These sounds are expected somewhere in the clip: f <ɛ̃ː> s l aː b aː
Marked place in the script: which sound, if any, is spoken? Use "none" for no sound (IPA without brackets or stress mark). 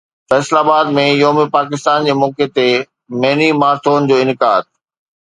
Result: ɛː